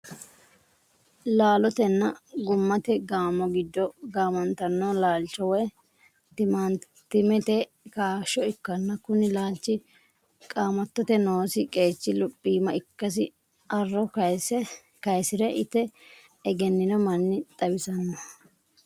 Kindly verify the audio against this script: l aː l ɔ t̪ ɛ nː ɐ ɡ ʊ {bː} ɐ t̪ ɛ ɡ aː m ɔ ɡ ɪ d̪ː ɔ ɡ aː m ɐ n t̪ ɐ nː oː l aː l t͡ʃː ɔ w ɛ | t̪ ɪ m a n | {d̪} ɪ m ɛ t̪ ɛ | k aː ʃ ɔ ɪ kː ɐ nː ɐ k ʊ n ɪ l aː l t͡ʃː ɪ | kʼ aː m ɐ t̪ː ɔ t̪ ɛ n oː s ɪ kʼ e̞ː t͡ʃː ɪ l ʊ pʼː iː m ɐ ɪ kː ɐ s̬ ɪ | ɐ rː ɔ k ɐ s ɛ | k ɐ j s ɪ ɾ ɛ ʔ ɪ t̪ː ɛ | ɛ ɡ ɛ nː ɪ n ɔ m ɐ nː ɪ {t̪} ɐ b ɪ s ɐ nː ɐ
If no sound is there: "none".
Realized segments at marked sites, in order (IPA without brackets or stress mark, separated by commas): mː, t̪, t̪ʼ